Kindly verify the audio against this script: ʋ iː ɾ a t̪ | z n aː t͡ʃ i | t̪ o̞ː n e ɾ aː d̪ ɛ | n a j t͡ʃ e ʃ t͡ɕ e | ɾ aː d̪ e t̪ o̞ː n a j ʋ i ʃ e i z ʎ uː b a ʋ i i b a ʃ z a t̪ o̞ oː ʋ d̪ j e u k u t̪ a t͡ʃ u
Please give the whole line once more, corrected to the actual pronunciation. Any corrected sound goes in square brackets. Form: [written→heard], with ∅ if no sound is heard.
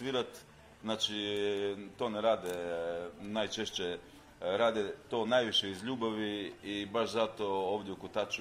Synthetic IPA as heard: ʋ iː ɾ a t̪ | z n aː t͡ʃ i | t̪ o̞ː n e ɾ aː d̪ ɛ | n a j t͡ʃ e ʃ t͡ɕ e | ɾ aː d̪ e t̪ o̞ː n a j ʋ i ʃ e i z ʎ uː b a ʋ i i b a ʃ z a t̪ o̞ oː ʋ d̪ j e u k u t̪ a t͡ʃ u